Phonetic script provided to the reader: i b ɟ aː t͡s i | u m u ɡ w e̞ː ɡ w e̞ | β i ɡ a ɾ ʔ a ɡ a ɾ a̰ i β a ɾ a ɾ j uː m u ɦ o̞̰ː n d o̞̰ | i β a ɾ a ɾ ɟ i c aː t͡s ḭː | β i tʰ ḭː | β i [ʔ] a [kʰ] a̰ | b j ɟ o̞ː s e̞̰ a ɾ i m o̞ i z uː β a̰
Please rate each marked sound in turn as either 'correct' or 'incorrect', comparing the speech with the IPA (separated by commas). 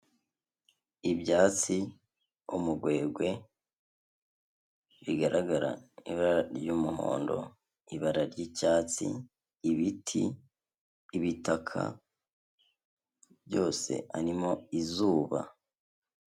incorrect, correct